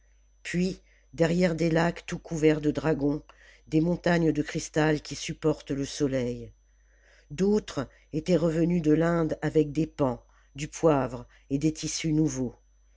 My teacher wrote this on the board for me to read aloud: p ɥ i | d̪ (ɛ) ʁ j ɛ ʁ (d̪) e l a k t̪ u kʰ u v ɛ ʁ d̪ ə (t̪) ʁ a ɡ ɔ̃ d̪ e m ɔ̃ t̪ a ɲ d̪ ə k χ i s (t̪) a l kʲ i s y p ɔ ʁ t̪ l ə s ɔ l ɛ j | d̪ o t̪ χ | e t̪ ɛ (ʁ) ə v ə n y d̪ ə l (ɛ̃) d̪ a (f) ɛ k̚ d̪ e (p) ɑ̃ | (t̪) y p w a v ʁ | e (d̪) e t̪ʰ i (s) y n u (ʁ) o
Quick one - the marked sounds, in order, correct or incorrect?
correct, correct, incorrect, correct, correct, correct, incorrect, correct, incorrect, correct, correct, incorrect

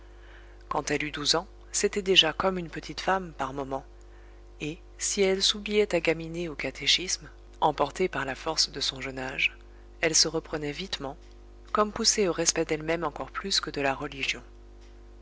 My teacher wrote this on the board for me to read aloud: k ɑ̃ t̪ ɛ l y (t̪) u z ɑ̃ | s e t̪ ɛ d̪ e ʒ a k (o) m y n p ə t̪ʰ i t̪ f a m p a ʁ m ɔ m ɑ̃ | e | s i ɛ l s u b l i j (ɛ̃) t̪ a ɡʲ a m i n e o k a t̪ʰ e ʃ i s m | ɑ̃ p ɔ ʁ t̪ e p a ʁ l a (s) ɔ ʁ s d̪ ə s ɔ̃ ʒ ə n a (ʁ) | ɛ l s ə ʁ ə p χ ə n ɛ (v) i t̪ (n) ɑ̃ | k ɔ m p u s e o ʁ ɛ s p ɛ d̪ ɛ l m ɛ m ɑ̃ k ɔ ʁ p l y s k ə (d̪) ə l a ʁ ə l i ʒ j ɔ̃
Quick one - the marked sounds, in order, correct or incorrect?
incorrect, incorrect, incorrect, incorrect, incorrect, correct, incorrect, correct

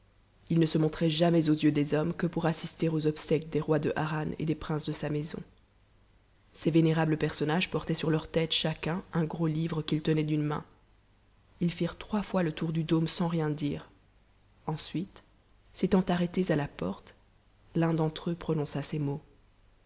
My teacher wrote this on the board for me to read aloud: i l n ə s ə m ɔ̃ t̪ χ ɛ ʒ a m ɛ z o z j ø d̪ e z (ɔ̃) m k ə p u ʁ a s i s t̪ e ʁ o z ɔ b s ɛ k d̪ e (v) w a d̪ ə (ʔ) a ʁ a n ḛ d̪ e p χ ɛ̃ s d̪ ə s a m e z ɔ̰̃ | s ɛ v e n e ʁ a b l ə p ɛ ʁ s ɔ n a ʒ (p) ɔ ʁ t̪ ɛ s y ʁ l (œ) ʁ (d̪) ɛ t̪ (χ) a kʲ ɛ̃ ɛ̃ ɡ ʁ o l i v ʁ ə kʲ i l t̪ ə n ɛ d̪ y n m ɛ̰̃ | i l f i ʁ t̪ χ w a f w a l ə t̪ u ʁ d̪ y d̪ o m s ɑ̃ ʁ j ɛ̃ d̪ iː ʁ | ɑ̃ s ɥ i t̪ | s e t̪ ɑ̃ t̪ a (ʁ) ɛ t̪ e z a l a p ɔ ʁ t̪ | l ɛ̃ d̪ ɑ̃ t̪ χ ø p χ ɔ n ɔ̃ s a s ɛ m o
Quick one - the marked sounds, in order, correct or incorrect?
incorrect, incorrect, correct, correct, correct, incorrect, incorrect, correct

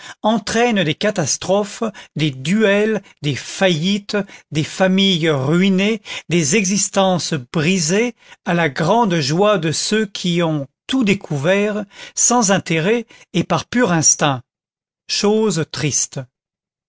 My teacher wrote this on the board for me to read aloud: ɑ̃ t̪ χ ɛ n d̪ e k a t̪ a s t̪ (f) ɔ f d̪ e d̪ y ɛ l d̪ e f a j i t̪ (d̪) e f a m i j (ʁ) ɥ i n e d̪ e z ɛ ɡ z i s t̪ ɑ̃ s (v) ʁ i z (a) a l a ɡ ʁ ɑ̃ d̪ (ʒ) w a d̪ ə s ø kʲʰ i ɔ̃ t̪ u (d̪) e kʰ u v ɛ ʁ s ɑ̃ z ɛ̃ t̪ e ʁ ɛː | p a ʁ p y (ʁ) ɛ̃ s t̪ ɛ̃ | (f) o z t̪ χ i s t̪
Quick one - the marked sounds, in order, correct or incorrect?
incorrect, correct, correct, incorrect, incorrect, correct, correct, correct, incorrect

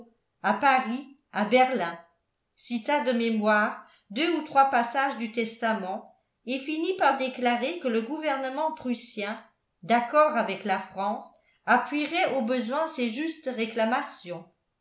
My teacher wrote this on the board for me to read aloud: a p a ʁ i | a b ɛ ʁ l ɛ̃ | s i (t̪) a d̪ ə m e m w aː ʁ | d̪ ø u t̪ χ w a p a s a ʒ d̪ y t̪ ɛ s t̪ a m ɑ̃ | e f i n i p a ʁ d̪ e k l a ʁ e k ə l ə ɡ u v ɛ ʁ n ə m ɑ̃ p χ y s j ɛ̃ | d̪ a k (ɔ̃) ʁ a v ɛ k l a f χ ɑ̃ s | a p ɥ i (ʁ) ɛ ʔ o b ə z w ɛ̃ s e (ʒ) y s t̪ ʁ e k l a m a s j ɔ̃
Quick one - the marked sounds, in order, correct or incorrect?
correct, incorrect, correct, correct

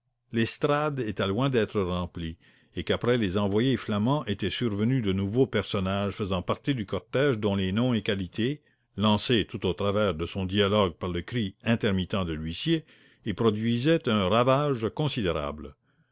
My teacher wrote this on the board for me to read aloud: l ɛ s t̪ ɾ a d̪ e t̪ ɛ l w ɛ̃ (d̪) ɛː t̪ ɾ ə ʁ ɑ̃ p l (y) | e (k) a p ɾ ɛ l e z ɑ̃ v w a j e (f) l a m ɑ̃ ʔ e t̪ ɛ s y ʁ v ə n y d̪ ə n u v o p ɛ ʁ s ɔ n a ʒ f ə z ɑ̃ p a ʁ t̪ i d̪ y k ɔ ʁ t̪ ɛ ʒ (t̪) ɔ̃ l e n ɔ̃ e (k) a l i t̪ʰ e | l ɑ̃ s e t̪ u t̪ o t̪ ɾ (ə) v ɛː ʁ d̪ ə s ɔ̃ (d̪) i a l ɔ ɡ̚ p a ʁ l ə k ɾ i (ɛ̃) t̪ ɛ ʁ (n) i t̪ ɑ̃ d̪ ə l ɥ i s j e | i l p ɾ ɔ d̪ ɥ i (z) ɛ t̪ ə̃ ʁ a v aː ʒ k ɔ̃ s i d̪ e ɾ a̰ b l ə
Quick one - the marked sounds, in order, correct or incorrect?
correct, incorrect, correct, correct, incorrect, correct, incorrect, correct, correct, incorrect, correct

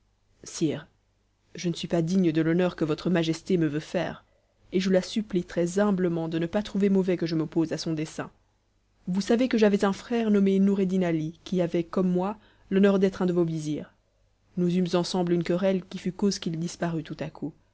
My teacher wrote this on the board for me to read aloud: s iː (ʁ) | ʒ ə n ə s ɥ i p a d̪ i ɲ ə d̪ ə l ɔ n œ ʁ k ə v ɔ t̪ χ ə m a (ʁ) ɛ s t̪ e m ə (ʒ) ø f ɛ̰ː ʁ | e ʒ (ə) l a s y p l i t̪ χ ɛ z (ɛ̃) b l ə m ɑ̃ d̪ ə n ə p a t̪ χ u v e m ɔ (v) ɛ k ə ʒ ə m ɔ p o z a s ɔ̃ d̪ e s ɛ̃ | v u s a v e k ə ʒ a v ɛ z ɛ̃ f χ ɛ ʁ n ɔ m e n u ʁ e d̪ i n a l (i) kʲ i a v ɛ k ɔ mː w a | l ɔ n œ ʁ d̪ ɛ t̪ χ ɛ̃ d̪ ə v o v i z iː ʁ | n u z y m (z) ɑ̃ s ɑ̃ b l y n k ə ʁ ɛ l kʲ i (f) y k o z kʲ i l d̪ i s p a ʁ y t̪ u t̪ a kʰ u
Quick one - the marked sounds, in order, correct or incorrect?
correct, incorrect, incorrect, correct, correct, correct, correct, correct, correct

